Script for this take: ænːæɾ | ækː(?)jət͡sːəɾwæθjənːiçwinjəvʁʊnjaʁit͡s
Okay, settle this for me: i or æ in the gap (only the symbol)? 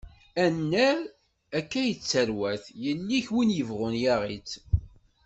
æ